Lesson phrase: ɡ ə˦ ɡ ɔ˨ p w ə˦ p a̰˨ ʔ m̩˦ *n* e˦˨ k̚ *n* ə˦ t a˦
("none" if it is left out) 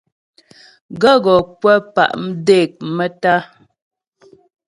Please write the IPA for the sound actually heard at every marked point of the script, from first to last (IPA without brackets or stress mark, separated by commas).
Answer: d, m